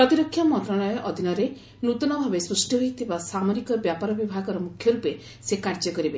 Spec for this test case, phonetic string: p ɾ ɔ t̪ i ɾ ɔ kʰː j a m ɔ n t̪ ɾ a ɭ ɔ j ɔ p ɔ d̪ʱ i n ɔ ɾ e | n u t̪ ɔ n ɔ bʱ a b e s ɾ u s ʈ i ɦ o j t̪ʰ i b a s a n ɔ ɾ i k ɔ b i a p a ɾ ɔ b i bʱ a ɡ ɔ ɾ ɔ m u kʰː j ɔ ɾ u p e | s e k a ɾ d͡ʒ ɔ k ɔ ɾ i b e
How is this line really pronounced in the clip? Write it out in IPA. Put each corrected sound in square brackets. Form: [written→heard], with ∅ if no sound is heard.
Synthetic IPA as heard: p ɾ ɔ t̪ i ɾ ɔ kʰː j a m ɔ n t̪ ɾ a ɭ ɔ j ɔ [p→ʔ] ɔ d̪ʱ i n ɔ ɾ e | n u t̪ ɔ n ɔ bʱ a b e s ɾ u s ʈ i ɦ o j t̪ʰ i b a s a [n→m] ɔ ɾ i k ɔ b [i→j] a p a ɾ ɔ b i bʱ a ɡ ɔ ɾ ɔ m u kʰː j ɔ ɾ u p e | s e k a ɾ d͡ʒ ɔ k ɔ ɾ i b e